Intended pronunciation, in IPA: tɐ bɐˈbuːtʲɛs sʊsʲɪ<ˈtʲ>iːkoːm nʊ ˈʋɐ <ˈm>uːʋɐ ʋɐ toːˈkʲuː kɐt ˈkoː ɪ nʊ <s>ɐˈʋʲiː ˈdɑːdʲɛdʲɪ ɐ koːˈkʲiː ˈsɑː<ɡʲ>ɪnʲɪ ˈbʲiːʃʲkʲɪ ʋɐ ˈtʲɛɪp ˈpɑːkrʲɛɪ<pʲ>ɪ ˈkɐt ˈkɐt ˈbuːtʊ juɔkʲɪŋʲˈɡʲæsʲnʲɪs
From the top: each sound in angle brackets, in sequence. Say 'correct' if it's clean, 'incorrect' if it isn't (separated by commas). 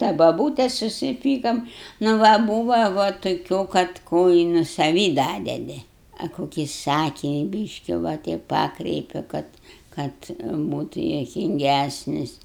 incorrect, incorrect, correct, incorrect, correct